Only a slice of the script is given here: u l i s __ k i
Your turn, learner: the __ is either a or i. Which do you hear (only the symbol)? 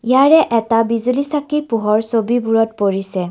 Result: a